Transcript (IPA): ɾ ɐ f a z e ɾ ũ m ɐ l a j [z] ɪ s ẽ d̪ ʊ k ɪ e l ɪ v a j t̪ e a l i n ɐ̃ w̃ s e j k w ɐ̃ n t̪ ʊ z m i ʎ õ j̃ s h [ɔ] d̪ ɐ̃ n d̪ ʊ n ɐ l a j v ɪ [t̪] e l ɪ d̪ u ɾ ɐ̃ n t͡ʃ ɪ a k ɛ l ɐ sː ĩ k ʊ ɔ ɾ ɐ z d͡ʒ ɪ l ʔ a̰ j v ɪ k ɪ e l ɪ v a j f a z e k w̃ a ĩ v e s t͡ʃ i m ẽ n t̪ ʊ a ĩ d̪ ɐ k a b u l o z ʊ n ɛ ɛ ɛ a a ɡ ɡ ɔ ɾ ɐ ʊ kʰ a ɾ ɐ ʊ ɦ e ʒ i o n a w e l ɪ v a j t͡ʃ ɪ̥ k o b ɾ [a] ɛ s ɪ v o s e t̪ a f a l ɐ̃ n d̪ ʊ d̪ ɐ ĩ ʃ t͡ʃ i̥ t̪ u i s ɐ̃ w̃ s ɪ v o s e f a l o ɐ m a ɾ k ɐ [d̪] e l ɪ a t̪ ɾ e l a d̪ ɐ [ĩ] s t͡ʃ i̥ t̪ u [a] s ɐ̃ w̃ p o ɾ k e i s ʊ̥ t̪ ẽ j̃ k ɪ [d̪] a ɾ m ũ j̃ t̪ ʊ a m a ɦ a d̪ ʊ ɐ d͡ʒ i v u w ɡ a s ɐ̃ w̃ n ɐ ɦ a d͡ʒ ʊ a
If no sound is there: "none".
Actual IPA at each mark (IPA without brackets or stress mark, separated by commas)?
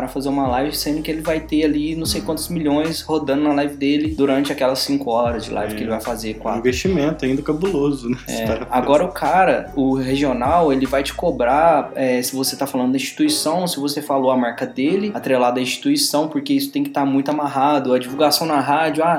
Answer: v, o, d̪, a, d̪, ĩ, i, t̪